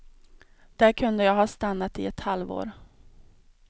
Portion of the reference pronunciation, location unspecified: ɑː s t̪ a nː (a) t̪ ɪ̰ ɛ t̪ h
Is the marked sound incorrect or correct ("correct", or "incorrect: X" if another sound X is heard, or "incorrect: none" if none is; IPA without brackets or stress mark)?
correct